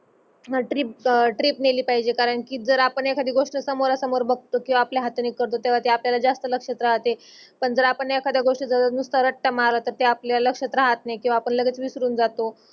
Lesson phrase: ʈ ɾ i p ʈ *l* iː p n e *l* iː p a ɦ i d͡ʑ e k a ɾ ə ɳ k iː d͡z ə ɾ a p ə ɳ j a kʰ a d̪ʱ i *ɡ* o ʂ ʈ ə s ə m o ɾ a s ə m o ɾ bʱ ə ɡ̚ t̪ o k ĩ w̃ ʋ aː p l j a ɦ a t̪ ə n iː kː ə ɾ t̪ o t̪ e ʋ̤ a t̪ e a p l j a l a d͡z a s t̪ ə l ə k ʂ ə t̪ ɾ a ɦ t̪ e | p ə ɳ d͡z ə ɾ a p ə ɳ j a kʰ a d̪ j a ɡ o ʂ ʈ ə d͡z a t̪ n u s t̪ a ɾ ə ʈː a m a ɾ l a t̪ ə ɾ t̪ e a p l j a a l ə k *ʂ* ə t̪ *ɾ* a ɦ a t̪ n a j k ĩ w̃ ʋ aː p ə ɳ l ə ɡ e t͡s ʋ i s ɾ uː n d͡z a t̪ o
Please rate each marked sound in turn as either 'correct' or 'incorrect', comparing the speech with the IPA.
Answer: incorrect, correct, correct, correct, correct

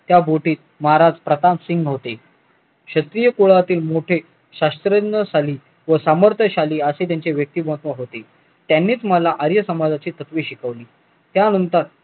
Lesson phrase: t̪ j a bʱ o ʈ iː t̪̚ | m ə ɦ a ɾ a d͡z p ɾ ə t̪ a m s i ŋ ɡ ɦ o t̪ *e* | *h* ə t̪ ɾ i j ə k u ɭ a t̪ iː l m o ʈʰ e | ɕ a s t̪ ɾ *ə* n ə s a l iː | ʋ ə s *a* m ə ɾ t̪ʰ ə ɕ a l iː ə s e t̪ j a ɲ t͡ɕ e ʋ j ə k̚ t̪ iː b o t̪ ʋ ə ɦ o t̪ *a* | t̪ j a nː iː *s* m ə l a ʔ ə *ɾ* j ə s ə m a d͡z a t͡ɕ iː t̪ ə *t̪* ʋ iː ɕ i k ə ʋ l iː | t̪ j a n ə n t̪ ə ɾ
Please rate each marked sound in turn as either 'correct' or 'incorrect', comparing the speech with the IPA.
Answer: correct, incorrect, correct, correct, incorrect, incorrect, correct, correct

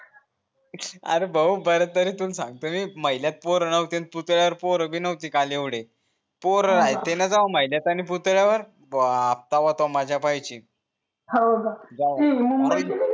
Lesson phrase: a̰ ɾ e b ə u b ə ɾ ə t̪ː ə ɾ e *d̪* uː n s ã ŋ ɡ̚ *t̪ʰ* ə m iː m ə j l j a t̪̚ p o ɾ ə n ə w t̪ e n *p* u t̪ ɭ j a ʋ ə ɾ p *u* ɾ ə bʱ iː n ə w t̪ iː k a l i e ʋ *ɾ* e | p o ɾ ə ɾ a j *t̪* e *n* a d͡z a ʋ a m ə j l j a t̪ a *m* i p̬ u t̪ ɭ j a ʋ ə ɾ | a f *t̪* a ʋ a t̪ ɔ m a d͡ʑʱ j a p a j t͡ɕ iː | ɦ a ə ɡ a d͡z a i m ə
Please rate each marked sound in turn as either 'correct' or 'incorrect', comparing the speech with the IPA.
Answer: incorrect, incorrect, correct, incorrect, incorrect, correct, correct, incorrect, correct

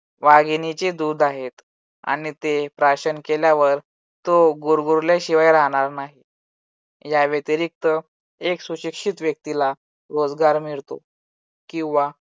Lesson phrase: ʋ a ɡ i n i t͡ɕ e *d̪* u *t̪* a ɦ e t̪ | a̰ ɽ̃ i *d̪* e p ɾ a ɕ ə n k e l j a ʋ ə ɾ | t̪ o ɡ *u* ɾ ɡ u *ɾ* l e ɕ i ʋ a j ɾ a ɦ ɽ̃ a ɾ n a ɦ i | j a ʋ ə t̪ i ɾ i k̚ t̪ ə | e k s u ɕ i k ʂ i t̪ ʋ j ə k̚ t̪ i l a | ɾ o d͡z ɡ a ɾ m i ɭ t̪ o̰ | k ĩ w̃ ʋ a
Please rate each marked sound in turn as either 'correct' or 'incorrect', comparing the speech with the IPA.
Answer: correct, incorrect, incorrect, correct, correct

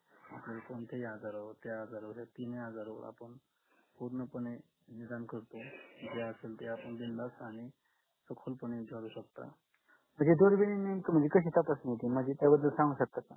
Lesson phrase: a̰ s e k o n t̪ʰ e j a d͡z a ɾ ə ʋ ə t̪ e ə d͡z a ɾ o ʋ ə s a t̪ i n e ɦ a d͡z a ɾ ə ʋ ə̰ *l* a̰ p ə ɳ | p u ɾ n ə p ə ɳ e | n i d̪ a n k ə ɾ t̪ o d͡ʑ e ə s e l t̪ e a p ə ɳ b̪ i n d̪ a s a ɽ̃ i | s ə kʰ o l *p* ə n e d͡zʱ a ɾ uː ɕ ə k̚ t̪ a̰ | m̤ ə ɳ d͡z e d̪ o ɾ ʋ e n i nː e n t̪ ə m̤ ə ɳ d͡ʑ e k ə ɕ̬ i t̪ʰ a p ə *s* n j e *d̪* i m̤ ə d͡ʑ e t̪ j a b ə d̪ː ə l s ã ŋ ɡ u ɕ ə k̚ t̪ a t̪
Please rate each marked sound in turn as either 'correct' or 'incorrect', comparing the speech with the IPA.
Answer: incorrect, correct, correct, incorrect

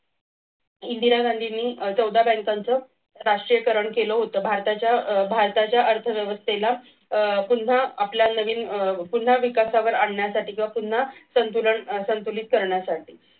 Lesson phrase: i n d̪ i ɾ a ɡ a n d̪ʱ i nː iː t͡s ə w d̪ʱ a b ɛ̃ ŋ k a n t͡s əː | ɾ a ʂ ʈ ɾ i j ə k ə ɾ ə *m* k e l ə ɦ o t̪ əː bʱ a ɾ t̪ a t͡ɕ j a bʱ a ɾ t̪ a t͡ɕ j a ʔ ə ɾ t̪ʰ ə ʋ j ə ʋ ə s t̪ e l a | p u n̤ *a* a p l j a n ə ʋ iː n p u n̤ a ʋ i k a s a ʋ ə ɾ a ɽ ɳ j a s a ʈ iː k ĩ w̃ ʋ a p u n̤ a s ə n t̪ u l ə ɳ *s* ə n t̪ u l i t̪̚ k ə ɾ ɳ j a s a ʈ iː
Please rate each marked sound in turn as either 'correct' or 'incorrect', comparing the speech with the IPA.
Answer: incorrect, correct, correct

